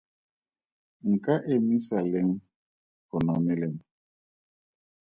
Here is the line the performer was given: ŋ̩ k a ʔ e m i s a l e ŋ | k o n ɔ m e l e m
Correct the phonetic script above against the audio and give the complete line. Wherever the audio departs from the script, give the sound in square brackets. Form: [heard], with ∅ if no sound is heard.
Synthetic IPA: ŋ̩ k a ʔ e m i s a l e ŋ | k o n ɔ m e l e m